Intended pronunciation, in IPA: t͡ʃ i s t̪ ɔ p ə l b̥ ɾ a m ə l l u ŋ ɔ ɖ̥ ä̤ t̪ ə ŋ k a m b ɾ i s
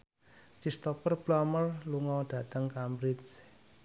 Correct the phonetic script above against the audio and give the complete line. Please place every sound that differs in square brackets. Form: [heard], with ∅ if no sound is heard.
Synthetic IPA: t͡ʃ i s t̪ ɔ p ə [r] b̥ [l] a m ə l l u ŋ ɔ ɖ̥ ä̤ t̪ ə ŋ k a m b ɾ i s